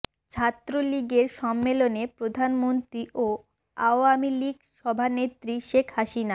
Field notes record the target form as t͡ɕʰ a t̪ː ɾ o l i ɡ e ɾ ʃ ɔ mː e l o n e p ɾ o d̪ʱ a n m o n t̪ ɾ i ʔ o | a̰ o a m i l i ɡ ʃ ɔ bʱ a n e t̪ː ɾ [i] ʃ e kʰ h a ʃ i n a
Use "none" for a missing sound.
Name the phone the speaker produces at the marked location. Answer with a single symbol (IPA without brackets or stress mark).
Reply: i